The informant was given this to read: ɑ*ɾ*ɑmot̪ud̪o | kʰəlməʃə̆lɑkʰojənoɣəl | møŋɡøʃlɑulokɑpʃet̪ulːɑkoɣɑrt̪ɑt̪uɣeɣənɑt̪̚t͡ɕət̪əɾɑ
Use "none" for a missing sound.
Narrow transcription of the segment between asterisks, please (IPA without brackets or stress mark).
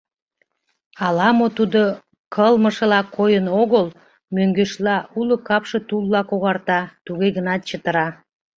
l